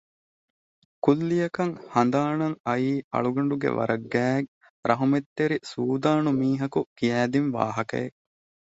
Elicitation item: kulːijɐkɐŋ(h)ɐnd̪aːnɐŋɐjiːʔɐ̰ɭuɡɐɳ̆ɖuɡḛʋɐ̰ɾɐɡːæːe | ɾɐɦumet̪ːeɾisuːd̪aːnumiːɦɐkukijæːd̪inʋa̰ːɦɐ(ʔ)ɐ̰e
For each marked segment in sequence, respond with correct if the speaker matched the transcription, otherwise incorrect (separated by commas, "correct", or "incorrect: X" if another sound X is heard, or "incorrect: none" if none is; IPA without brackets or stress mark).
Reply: correct, incorrect: k